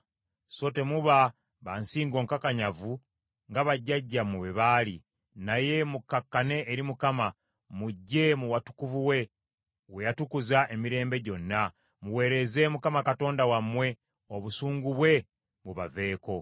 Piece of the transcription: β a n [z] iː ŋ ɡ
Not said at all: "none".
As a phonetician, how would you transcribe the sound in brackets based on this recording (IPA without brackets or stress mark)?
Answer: s